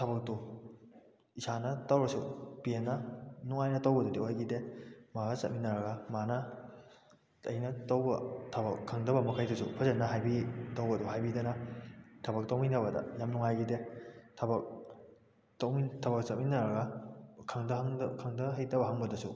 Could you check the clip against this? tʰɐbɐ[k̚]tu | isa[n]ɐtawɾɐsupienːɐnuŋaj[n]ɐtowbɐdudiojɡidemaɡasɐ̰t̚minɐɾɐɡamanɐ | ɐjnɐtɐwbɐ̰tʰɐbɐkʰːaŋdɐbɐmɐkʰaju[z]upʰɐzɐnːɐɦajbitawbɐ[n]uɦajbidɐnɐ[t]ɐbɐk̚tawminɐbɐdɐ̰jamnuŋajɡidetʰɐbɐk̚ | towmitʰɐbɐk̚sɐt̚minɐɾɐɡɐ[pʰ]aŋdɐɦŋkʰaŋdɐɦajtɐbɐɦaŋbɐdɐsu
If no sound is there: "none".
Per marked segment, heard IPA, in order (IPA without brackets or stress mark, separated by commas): k̚, n, n, s, d, tʰ, kʰ